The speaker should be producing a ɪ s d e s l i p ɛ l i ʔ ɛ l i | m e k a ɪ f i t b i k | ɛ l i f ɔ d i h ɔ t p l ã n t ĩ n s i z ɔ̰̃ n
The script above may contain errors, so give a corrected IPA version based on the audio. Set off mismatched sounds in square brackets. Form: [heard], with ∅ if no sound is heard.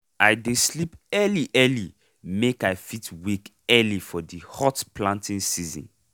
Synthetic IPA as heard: a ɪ [∅] d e s l i p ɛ l i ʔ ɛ l i | m e k a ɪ f i t [w] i k | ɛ l i f ɔ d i h ɔ t p l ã n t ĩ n s i z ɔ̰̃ n